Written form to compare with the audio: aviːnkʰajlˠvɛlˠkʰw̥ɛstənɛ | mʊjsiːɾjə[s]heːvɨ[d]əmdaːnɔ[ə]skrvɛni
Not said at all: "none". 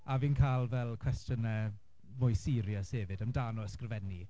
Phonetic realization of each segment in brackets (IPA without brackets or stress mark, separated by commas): s, d, ə